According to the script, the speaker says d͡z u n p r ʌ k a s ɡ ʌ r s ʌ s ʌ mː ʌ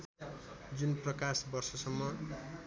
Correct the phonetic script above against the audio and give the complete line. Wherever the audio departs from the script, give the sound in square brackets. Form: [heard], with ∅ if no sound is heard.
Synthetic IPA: d͡z u n p r ʌ k a s [b] ʌ r s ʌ s ʌ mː ʌ